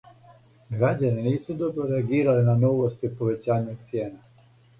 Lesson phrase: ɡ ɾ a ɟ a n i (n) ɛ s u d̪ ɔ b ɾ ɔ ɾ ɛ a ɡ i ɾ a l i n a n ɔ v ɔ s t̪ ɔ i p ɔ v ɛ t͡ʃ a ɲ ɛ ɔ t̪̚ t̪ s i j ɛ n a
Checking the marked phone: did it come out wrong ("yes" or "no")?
no